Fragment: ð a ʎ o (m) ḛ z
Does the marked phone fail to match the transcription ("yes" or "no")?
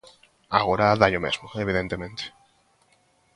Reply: no